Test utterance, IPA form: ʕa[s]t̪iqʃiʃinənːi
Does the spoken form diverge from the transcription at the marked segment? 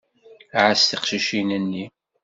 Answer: no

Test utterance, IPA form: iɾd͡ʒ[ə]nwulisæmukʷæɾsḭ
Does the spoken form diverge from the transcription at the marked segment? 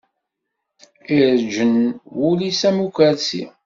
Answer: no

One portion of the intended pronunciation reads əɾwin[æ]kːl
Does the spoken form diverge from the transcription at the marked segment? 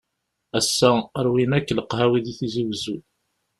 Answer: no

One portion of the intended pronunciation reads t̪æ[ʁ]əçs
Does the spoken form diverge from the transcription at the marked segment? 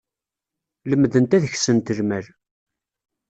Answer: yes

